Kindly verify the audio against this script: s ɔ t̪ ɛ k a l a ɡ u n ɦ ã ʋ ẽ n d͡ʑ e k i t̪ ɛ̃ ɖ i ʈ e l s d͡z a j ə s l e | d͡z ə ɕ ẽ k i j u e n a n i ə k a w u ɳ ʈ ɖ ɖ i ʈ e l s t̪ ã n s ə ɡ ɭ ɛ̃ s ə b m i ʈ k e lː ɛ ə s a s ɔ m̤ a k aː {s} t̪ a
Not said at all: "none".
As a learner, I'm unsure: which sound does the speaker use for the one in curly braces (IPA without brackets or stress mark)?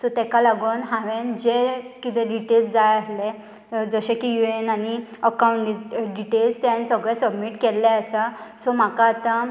none